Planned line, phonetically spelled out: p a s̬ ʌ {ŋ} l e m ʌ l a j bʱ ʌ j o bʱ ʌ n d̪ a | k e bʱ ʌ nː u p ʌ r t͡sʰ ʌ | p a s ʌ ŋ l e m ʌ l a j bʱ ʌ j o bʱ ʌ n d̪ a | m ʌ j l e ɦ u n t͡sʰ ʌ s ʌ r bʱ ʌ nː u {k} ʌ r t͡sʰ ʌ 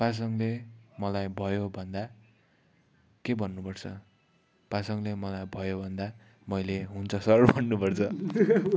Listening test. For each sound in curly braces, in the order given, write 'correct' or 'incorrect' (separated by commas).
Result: correct, incorrect